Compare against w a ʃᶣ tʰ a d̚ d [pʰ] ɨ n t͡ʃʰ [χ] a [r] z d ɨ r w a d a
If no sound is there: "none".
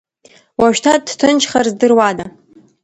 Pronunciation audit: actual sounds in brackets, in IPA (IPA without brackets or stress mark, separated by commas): tʰ, χ, r